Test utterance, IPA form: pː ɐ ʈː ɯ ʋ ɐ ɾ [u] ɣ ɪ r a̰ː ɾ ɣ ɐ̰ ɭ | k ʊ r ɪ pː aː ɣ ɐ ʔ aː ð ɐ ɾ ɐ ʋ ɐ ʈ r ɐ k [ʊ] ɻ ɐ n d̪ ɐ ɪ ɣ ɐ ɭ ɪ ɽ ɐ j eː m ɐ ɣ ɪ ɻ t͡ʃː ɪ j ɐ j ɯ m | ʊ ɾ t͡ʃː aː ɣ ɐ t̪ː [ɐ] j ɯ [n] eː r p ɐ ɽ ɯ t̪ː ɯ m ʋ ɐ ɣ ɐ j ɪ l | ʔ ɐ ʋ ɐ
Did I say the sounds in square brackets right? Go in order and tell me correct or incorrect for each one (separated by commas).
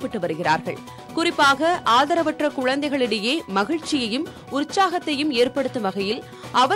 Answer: incorrect, correct, correct, incorrect